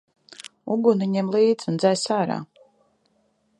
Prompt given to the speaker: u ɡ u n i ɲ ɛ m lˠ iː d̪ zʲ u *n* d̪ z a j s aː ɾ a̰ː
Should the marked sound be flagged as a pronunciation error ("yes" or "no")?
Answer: no